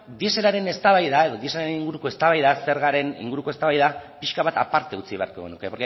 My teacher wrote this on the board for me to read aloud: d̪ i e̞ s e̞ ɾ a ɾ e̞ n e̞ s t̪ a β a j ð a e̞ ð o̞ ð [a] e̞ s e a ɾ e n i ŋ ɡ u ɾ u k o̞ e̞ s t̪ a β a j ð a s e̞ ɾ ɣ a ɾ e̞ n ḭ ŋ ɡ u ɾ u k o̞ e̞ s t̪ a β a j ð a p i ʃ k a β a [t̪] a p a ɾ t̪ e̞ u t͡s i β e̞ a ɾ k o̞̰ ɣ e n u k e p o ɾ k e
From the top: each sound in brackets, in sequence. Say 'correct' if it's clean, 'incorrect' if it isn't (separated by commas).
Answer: incorrect, correct